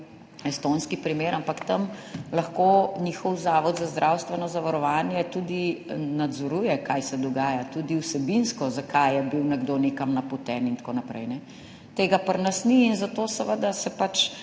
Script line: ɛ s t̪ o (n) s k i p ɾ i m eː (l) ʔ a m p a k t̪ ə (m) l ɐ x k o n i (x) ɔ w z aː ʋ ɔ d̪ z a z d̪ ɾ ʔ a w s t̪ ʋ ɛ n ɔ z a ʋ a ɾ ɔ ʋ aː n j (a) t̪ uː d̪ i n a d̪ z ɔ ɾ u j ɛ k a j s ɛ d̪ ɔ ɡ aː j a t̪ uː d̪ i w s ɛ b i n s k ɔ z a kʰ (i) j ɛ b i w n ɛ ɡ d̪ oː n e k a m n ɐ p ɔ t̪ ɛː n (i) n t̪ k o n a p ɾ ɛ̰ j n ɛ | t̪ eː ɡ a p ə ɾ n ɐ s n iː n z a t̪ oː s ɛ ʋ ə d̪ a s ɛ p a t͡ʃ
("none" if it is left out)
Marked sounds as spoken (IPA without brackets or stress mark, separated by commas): n, ɾ, m, x, ɛ, a, i